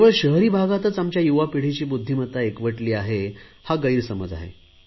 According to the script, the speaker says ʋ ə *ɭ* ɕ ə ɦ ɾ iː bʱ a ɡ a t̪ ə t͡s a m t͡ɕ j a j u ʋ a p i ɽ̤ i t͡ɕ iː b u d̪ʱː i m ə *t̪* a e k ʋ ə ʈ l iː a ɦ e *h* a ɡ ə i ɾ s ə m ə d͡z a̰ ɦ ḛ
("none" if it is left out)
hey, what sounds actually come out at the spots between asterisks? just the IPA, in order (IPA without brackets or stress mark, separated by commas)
ɭ, t̪, h